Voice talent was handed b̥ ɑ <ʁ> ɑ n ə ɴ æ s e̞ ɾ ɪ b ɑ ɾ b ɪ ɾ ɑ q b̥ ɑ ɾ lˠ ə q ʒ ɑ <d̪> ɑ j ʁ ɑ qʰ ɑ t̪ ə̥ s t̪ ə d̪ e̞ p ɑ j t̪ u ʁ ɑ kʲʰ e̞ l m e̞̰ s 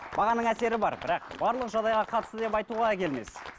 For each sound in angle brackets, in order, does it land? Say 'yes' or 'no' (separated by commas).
yes, yes